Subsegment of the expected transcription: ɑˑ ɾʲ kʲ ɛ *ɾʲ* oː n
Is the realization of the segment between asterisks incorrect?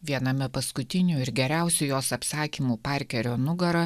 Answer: no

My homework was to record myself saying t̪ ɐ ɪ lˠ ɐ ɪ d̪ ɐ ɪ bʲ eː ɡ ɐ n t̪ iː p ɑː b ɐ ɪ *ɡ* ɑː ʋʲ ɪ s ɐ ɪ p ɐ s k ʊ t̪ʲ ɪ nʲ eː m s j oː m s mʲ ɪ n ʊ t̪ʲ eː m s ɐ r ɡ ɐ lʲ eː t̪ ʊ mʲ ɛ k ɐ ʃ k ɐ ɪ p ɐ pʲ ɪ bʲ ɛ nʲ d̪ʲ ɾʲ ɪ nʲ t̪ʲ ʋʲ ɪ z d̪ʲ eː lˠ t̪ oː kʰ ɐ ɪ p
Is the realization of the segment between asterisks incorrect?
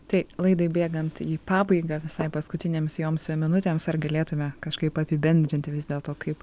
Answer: no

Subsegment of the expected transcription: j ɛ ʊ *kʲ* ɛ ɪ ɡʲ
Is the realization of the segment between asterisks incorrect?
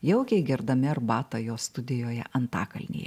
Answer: no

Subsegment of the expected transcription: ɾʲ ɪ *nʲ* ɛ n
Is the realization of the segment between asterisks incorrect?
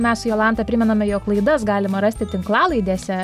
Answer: yes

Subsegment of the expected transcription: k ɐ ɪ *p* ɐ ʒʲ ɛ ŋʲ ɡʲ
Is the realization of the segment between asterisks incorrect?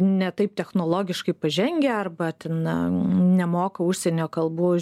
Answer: no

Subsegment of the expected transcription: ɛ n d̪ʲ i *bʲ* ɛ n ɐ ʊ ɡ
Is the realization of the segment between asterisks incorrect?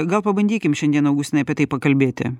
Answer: yes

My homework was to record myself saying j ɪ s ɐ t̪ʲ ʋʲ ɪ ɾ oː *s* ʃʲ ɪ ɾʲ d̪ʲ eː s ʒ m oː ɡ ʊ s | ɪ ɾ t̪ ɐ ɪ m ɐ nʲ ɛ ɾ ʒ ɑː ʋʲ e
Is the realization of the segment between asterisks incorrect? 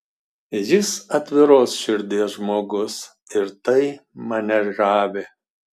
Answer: no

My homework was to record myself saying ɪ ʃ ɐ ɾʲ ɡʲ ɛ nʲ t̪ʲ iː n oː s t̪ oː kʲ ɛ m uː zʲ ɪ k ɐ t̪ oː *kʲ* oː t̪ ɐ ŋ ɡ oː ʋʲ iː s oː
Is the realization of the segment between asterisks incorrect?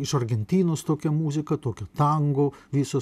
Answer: no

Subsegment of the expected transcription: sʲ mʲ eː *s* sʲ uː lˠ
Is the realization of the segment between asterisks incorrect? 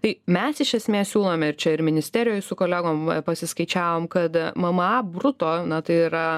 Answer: no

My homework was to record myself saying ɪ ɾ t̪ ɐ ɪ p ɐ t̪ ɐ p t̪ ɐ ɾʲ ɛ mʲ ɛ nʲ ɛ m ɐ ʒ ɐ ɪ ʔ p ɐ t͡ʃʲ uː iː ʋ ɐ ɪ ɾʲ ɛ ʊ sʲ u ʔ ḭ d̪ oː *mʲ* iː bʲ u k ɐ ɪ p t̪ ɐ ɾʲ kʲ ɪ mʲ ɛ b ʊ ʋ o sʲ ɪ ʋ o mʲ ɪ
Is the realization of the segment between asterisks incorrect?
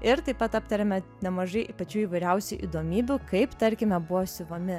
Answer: no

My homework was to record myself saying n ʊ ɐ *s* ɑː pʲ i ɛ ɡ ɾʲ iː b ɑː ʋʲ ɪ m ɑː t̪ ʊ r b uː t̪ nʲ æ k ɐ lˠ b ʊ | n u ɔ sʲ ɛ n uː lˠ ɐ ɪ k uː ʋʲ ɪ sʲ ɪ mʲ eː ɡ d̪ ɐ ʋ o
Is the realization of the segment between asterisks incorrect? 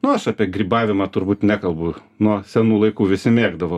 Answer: yes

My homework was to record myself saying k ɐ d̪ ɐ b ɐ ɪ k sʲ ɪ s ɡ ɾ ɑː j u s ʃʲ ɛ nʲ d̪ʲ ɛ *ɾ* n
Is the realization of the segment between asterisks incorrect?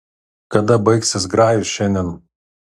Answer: yes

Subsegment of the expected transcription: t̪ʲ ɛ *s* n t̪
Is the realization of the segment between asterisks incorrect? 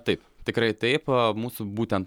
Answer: yes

